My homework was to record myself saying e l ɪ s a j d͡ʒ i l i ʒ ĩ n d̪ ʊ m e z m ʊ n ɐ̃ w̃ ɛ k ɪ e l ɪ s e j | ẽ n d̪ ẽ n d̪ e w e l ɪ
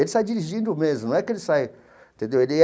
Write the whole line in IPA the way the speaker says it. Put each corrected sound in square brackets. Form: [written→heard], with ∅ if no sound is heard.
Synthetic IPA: e l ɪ s a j d͡ʒ i [l→ɾ] i ʒ ĩ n d̪ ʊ m e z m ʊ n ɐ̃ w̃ ɛ k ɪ e l ɪ s [e→a] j | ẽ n [d̪→t̪] ẽ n d̪ e w e l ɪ